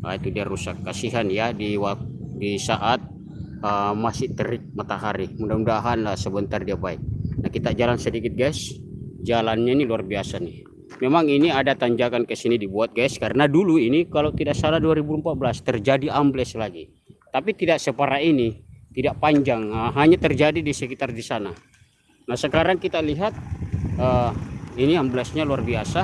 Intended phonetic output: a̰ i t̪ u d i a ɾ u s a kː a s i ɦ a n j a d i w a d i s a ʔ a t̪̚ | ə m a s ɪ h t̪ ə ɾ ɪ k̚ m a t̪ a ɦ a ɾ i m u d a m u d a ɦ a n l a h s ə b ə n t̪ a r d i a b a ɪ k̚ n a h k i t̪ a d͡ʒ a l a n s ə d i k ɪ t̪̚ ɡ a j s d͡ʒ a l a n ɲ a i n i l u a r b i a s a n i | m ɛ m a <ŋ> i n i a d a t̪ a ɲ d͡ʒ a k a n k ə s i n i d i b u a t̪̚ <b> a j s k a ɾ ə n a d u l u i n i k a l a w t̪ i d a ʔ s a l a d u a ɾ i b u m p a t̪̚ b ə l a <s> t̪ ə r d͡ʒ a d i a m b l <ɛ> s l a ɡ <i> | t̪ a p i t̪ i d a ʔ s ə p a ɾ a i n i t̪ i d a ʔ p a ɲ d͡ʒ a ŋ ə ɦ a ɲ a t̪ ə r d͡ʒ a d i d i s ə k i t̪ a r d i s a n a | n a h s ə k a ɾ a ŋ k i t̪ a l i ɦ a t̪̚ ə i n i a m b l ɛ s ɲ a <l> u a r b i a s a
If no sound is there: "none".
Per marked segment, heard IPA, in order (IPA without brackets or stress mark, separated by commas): ŋ, ɡ, s, ɛ, i, l